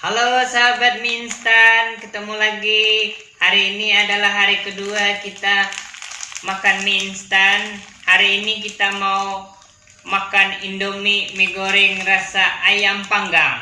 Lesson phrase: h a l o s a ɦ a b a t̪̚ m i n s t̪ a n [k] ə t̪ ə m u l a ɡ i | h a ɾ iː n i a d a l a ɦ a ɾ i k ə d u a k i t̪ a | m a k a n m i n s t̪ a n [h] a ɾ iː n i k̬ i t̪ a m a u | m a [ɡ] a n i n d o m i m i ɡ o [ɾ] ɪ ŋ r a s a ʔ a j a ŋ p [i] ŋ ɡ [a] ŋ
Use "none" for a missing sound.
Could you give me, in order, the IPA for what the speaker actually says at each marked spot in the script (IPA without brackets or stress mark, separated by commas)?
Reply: k, h, k, ɾ, a, a